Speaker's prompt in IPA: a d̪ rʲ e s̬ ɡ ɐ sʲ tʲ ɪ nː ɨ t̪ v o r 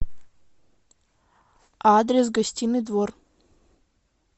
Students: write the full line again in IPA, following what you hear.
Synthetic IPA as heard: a d̪ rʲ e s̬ ɡ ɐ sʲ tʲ i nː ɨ d̪ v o r